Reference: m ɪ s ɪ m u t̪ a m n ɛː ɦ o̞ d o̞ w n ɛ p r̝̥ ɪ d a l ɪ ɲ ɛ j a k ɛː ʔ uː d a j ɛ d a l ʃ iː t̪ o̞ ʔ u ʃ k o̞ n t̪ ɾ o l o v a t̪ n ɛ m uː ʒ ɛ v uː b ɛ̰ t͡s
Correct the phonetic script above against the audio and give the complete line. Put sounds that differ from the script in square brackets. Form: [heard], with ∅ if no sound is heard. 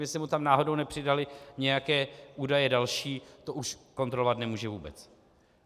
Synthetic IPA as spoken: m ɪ s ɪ m u t̪ a m n [aː] ɦ o̞ d o̞ w n ɛ p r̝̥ ɪ d a l ɪ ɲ ɛ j a k ɛː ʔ uː d a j ɛ d a l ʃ iː t̪ o̞ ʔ u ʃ k o̞ n t̪ ɾ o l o v a t̪ n ɛ m uː ʒ ɛ v uː b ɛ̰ t͡s